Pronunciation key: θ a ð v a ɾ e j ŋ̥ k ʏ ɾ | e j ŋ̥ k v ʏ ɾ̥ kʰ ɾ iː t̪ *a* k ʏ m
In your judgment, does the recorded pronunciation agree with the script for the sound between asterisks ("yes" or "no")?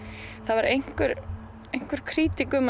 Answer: no